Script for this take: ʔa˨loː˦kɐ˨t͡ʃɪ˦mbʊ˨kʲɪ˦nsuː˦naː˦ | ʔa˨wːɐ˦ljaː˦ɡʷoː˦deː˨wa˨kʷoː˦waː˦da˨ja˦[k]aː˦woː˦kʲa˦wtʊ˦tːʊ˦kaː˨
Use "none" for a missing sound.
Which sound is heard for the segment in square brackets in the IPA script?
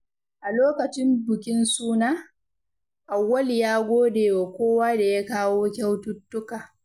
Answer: k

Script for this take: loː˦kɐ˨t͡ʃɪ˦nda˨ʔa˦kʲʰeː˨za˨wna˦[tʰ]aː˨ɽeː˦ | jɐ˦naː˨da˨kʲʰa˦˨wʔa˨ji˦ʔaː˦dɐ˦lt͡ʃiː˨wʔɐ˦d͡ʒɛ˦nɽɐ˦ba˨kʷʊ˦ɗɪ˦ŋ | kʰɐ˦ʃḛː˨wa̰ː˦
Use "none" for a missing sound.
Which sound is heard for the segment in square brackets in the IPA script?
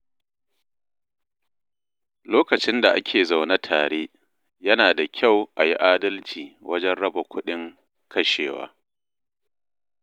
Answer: tʰ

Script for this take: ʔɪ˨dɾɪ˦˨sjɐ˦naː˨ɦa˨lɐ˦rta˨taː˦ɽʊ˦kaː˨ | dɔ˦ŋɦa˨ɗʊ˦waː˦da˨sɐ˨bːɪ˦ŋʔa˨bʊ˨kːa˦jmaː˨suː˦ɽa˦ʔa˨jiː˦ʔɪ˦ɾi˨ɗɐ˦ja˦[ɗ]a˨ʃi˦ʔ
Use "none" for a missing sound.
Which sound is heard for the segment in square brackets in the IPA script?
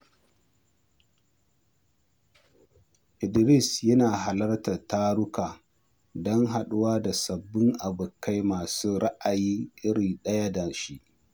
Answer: d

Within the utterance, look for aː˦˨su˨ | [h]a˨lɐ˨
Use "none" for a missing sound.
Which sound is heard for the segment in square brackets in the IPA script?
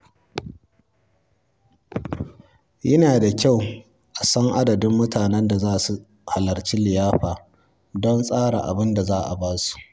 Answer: h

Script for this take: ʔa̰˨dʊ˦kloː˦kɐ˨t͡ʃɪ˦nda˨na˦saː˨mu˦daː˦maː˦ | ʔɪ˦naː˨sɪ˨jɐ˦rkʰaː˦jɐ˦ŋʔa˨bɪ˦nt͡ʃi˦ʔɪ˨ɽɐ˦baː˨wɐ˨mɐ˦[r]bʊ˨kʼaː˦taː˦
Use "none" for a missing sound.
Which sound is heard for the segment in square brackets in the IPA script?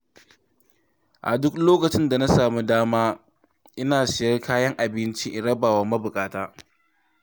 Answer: none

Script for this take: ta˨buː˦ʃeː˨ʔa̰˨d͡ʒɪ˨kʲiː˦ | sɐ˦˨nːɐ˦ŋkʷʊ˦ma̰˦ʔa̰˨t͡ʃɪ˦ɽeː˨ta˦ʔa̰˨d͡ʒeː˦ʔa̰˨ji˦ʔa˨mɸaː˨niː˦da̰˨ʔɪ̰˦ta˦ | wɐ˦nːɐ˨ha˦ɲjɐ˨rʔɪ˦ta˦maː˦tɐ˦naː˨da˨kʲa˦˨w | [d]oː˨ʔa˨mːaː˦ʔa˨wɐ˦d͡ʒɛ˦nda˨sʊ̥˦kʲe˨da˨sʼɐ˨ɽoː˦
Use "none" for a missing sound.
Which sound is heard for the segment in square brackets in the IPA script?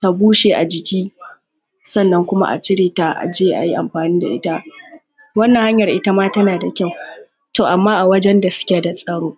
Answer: t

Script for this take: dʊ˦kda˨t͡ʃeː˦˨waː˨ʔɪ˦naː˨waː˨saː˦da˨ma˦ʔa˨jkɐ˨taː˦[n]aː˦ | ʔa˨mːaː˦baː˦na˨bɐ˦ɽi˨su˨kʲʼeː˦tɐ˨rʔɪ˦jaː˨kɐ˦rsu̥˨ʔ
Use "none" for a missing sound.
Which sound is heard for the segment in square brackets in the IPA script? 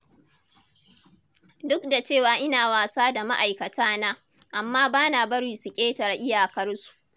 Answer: n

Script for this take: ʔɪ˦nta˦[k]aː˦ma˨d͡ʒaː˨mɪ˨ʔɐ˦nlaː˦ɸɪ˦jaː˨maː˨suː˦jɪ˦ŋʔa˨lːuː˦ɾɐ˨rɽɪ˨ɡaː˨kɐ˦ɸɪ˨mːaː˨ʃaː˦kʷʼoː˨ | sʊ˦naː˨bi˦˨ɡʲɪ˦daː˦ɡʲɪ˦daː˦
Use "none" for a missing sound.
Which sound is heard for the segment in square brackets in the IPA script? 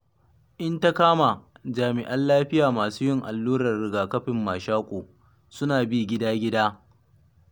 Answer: k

